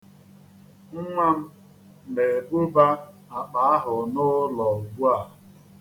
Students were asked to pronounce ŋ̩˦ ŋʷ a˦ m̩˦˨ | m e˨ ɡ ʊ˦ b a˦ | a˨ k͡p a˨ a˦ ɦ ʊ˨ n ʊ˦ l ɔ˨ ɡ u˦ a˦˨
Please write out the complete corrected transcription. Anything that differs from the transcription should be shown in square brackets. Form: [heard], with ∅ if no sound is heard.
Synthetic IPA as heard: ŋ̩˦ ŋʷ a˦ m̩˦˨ | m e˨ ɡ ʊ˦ b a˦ | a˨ k͡p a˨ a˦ ɦ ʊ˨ n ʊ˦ l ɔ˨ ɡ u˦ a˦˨